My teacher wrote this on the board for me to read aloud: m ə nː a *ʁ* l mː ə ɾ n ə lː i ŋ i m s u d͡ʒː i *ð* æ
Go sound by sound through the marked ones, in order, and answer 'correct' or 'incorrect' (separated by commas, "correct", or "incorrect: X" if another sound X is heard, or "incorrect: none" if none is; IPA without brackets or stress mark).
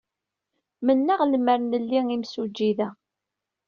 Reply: correct, correct